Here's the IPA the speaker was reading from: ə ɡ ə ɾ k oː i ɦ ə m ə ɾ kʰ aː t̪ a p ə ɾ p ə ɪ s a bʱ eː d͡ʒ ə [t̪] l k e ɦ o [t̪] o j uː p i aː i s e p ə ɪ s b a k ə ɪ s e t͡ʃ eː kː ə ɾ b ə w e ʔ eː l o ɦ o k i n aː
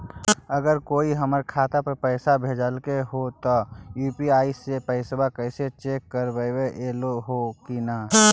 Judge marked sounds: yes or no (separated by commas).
no, yes